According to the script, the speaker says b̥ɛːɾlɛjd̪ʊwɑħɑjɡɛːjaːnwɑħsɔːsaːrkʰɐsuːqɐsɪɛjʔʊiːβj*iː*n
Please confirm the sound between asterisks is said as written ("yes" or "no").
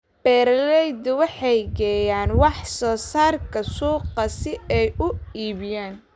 no